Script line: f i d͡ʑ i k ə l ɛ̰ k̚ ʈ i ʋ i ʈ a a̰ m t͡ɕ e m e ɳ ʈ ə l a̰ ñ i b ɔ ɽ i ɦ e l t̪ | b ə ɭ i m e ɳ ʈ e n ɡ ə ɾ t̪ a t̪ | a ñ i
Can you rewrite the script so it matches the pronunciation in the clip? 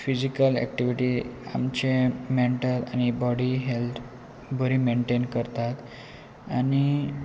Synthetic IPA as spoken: f i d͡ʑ i k ə l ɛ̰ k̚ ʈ i ʋ i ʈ i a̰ m t͡ɕ e m e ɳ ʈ ə l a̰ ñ i b ɔ ɽ i ɦ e l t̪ | b ə ɾ i m e ɳ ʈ e n k ə ɾ t̪ a t̪ | a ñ i